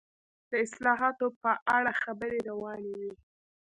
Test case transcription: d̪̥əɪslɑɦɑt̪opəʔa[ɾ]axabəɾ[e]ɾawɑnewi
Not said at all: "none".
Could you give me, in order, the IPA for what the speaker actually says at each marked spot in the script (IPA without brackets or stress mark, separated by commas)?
ɽ, e